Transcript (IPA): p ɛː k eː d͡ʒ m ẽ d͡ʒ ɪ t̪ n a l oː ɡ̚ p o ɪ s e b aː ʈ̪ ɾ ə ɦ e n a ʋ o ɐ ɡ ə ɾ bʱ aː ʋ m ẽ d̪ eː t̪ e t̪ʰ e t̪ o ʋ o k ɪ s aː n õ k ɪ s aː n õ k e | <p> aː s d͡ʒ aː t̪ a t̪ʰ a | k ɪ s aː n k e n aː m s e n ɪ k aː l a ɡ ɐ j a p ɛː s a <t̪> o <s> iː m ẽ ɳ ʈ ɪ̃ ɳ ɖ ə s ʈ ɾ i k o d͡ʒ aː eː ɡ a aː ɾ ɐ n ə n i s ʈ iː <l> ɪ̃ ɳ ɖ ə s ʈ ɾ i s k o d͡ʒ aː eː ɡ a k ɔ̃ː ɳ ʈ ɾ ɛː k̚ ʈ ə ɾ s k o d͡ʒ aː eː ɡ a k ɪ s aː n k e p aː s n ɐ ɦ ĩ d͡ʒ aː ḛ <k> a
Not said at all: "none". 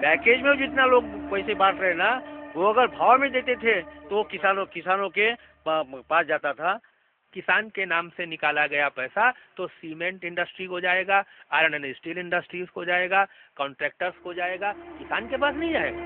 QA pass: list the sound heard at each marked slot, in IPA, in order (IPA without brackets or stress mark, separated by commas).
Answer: p, t̪, s, l, ɡ